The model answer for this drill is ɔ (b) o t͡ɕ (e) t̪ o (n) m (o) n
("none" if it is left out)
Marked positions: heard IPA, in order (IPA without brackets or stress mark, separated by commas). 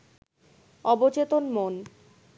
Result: b, e, n, o